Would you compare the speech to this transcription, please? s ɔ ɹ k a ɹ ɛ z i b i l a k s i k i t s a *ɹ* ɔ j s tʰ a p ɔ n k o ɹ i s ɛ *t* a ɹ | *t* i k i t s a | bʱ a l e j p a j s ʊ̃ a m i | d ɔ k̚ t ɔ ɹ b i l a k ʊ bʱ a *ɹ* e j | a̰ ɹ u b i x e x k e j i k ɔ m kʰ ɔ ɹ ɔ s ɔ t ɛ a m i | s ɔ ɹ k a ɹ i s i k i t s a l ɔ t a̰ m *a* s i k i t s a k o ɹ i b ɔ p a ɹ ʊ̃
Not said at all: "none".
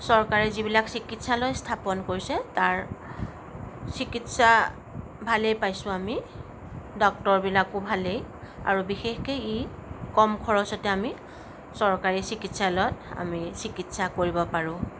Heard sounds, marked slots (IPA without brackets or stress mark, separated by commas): l, t, s, l, i